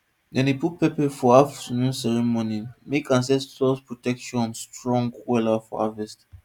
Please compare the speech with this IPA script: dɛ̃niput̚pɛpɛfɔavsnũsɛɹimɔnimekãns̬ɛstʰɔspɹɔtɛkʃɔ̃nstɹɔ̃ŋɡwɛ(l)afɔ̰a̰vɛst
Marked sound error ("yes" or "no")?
no